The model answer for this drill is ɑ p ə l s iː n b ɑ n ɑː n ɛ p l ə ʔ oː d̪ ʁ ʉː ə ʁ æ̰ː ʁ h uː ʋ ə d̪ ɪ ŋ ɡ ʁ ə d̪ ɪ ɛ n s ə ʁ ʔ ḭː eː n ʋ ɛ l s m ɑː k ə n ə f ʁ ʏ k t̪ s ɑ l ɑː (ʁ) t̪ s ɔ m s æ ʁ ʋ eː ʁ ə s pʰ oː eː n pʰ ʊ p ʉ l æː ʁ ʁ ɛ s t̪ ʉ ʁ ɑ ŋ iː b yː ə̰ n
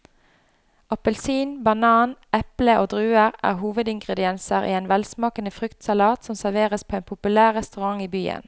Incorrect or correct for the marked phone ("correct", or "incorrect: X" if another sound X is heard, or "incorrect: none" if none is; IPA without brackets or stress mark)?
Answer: incorrect: none